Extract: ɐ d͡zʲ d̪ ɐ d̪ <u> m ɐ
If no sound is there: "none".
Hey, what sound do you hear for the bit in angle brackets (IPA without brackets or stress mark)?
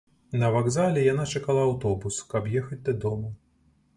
ɔ